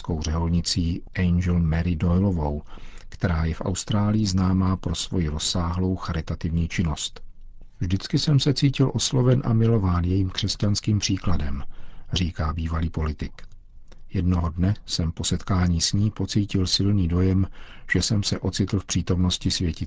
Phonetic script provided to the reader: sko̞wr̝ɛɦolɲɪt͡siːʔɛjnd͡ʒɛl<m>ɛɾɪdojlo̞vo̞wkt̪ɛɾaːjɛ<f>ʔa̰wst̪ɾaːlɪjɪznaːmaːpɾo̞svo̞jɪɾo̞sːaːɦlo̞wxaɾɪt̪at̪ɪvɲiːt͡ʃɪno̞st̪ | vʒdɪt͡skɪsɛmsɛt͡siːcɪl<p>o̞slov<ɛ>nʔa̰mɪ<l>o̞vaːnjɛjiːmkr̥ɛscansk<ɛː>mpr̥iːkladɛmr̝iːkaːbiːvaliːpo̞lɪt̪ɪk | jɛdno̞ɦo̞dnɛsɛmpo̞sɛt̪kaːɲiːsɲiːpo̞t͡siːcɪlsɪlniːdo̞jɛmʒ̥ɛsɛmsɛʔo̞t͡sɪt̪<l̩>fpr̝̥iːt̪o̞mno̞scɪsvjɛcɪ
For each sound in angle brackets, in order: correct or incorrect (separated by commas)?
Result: correct, correct, incorrect, correct, correct, incorrect, correct